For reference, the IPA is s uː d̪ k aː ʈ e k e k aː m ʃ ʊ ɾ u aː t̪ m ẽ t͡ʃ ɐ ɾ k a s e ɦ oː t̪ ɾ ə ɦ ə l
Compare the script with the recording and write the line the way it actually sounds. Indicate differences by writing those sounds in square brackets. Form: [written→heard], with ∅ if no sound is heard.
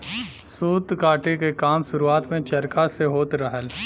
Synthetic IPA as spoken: s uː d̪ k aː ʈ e k e k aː m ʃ ʊ ɾ u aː t̪ m ẽ t͡ʃ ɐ ɾ k a s e ɦ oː t̪ ɾ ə ɦ ə l